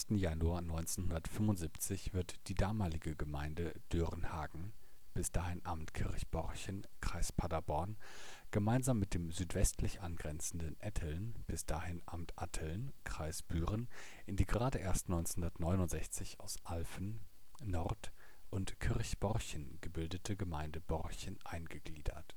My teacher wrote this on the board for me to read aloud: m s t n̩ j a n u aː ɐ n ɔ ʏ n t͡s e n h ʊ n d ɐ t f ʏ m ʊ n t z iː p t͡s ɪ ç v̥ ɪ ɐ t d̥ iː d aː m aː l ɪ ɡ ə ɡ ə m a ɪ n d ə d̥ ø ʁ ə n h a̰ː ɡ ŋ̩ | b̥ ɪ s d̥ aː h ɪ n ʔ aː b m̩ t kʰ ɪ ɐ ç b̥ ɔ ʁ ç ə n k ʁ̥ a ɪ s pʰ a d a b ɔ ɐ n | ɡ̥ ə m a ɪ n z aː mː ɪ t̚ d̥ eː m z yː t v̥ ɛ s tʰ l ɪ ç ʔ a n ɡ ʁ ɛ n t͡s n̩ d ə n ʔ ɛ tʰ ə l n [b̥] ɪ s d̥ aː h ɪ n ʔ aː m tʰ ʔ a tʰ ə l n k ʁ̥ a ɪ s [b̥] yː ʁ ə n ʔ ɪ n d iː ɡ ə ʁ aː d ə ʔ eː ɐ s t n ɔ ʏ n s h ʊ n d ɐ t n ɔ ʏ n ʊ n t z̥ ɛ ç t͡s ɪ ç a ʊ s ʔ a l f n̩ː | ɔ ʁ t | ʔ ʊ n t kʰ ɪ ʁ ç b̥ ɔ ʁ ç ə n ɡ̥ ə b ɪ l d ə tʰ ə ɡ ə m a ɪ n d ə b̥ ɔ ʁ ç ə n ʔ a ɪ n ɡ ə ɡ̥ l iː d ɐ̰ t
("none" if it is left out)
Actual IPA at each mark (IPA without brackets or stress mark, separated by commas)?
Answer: b̥, b̥